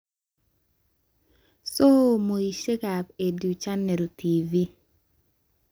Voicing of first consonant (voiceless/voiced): voiceless